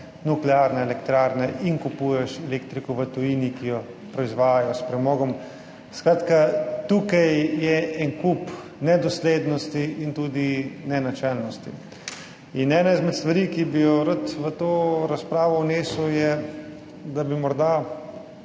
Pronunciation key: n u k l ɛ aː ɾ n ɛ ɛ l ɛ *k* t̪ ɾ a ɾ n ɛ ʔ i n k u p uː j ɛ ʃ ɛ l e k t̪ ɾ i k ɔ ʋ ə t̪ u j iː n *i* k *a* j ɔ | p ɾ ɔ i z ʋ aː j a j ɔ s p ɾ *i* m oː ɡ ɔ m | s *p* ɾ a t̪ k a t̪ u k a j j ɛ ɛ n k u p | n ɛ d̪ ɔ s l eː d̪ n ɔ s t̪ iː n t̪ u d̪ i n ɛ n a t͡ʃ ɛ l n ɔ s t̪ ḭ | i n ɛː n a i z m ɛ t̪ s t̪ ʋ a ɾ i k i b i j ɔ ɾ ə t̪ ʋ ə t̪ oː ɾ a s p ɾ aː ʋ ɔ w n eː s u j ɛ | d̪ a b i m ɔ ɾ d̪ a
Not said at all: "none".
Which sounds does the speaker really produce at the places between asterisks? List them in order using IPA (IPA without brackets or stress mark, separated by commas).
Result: k, i, i, ɛ, k